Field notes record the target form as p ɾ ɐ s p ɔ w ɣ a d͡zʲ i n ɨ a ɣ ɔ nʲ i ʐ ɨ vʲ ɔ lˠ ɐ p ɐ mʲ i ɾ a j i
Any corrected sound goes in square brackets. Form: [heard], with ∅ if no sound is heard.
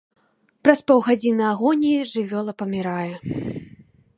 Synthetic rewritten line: p ɾ ɐ s p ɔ w ɣ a d͡zʲ i n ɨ a ɣ ɔ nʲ i ʐ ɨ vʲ ɔ lˠ ɐ p ɐ mʲ i ɾ a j [ɛ]